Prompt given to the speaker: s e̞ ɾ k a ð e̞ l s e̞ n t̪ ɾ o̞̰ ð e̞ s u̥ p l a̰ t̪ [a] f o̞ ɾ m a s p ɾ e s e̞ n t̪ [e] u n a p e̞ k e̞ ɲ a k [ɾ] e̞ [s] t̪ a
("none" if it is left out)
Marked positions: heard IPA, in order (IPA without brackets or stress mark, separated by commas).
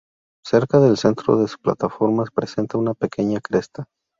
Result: a, a, ɾ, s